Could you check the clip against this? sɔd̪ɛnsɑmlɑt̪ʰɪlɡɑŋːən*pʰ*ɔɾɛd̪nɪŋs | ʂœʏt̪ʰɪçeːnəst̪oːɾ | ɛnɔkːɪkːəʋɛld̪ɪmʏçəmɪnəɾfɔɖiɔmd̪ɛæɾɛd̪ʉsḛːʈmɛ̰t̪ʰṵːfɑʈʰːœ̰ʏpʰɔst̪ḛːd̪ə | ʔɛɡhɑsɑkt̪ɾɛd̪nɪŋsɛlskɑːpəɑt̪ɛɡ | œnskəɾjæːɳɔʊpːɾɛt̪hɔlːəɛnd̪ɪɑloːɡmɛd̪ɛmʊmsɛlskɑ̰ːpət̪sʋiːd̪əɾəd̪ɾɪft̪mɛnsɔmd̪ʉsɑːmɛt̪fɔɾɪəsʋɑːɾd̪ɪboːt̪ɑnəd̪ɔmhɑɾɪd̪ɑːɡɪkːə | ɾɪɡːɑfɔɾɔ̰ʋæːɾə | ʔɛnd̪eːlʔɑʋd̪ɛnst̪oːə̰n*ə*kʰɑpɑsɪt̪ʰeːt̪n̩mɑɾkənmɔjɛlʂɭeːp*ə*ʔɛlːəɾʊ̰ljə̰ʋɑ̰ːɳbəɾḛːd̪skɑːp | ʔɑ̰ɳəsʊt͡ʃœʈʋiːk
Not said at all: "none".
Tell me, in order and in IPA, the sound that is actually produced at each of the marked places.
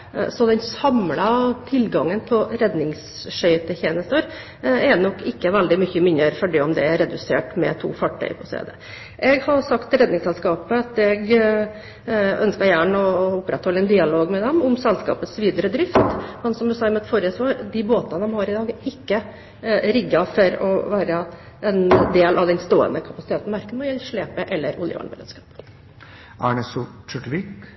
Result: pʰ, ə, ə

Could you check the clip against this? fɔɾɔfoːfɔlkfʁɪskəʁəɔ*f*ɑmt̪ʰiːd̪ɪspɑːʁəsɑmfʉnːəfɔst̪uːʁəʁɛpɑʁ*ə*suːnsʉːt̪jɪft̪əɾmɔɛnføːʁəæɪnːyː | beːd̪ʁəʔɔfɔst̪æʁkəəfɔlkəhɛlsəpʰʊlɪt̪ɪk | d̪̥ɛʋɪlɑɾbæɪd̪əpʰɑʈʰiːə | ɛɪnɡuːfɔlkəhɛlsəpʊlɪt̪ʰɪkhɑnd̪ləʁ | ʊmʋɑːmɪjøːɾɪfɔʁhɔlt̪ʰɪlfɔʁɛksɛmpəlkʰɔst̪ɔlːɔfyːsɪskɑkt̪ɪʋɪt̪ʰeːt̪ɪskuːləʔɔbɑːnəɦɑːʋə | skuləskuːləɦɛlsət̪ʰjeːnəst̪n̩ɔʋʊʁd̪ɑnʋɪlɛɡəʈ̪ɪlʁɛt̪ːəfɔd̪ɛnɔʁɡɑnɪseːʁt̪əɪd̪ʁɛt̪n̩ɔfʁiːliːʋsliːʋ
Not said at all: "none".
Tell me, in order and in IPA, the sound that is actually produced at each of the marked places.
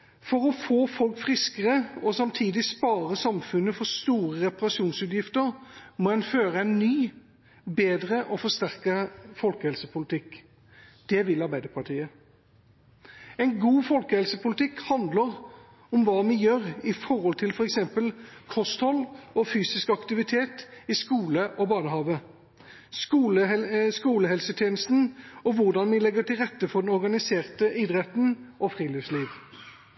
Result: s, ɑ

